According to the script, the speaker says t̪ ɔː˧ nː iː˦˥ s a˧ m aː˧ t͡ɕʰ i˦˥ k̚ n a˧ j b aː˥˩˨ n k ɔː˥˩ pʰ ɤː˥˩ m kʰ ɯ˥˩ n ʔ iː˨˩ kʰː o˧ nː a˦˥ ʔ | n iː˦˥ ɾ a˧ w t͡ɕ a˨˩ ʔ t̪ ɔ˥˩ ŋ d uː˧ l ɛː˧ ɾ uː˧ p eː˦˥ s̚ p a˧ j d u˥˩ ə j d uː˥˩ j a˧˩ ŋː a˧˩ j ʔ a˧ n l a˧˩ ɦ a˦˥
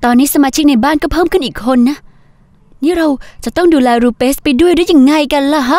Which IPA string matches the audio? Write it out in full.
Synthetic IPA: t̪ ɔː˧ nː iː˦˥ s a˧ m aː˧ t͡ɕʰ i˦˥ k̚ n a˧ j b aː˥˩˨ n k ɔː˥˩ pʰ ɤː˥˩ m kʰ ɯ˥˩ n ʔ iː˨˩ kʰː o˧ nː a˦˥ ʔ | n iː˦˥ ɾ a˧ w t͡ɕ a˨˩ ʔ t̪ ɔ˥˩ ŋ d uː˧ l ɛː˧ ɾ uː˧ p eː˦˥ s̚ p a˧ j d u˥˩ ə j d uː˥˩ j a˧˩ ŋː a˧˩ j k a˧ n l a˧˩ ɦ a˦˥

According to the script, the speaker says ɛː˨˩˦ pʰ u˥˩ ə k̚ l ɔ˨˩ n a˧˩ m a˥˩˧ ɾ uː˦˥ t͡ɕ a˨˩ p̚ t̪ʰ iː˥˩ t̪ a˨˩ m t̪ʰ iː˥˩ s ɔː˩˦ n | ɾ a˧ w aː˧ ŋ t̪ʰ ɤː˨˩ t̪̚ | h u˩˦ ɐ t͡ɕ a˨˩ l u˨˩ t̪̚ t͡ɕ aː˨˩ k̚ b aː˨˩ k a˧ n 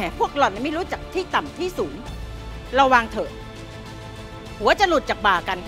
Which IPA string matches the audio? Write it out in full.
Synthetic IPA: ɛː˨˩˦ pʰ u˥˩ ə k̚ l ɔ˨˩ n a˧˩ m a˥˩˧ ɾ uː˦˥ t͡ɕ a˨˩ k̚ t̪ʰ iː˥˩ t̪ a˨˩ m t̪ʰ iː˥˩ s uː˩˦ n | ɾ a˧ w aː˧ ŋ t̪ʰ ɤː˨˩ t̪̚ | h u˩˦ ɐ t͡ɕ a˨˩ l u˨˩ t̪̚ t͡ɕ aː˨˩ k̚ b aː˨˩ k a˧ n

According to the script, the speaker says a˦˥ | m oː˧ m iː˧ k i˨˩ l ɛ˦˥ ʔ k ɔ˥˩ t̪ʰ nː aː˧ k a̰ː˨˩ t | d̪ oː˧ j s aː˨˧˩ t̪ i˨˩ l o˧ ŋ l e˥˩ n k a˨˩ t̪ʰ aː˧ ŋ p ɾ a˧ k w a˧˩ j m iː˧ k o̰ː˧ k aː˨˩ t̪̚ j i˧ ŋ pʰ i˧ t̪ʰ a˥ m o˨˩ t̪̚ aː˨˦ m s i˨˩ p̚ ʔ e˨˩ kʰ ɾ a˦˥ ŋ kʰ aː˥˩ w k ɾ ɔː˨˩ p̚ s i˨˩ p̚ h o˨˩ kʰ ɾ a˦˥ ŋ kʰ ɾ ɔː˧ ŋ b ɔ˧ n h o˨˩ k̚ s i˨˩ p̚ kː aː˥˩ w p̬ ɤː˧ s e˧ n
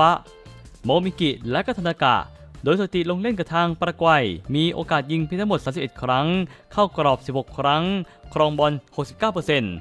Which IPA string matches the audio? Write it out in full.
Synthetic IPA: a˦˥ | m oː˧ m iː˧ k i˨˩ l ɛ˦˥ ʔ k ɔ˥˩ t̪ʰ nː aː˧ k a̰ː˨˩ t | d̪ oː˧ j s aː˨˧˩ t̪ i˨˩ l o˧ ŋ l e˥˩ n k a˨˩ t̪ʰ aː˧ ŋ p ɾ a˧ k w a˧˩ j m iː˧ ʔ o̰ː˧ k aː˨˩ t̪̚ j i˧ ŋ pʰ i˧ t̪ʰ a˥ m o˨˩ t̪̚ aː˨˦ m s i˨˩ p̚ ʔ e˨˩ kʰ ɾ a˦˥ ŋ kʰ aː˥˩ w k ɾ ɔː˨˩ p̚ s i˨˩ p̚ h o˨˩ kʰ ɾ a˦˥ ŋ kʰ ɾ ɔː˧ ŋ b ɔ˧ n h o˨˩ k̚ s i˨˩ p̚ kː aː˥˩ w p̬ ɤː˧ s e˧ n

